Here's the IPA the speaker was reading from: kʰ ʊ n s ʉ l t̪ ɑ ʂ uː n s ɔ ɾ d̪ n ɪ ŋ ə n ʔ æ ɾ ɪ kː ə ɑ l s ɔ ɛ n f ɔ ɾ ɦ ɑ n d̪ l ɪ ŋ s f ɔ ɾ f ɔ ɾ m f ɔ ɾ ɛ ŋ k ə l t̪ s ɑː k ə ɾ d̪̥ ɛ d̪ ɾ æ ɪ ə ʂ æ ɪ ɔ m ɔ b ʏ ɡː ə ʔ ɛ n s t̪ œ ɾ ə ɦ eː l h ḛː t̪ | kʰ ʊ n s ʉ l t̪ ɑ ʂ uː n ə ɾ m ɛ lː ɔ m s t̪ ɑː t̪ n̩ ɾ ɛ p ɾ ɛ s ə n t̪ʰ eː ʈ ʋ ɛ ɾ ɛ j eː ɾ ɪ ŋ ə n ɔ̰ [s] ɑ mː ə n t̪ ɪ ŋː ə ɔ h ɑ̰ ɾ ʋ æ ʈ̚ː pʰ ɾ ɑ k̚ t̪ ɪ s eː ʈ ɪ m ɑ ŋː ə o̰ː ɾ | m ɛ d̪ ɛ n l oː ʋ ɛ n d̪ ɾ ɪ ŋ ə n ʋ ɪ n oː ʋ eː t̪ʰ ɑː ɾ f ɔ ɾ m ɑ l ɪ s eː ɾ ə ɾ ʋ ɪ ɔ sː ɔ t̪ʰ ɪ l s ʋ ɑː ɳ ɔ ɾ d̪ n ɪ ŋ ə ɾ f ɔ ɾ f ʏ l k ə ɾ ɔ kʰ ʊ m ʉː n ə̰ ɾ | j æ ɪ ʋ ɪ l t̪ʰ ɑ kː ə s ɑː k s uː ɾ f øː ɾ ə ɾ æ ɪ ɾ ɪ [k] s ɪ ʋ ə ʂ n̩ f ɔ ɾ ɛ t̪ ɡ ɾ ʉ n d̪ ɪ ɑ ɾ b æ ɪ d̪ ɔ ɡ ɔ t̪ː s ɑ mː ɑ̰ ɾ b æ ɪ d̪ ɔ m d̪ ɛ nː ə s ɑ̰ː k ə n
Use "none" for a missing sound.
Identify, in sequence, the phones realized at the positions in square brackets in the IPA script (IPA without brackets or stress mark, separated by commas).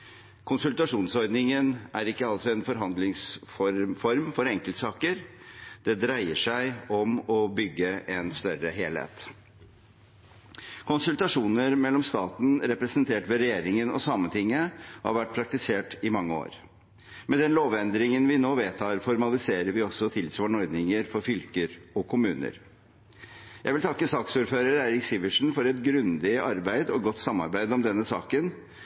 s, k